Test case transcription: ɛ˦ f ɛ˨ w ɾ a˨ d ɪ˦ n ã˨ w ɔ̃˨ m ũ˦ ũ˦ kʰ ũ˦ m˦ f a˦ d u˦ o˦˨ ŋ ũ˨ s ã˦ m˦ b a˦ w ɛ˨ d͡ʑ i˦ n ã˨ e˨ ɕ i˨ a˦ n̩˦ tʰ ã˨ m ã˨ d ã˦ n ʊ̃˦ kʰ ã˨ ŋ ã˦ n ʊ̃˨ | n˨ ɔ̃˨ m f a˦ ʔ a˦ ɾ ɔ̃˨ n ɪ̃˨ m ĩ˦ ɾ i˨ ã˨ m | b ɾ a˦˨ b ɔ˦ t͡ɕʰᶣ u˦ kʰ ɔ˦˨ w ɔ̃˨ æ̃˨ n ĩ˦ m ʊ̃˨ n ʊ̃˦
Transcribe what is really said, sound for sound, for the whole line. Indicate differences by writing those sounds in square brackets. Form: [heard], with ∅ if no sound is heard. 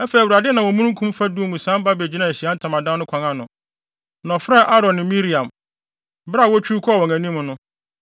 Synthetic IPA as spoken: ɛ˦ f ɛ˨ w ɾ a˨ d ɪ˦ n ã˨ w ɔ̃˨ m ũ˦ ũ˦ kʰ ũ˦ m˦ f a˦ d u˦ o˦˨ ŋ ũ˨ s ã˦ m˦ b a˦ [b] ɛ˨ d͡ʑ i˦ n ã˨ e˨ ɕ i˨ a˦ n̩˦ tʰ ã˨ m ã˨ d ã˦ n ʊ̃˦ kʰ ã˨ ŋ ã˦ n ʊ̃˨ | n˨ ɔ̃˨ [∅] f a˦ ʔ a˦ ɾ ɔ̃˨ n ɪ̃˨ m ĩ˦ ɾ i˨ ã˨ m | b ɾ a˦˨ [w] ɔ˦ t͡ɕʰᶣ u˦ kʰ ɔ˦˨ w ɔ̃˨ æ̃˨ n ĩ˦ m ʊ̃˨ n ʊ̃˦